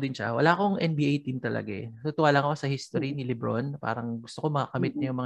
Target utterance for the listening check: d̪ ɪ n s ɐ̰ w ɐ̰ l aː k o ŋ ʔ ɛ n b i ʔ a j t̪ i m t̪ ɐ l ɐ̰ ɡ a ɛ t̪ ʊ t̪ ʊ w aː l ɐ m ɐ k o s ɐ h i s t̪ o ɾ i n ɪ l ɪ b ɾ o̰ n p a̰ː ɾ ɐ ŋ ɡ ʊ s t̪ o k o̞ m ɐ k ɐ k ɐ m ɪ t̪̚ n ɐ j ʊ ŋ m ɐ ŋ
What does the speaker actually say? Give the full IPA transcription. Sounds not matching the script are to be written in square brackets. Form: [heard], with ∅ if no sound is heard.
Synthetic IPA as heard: d̪ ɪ n [ʃ] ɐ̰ w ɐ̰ l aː k o ŋ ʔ ɛ n b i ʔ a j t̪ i m t̪ ɐ l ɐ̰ ɡ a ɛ t̪ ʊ t̪ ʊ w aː l ɐ [ŋ] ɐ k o s ɐ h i s t̪ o ɾ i n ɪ l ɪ b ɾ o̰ n p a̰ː ɾ ɐ ŋ ɡ ʊ s t̪ o k o̞ m ɐ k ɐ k ɐ m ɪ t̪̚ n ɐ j ʊ ŋ m ɐ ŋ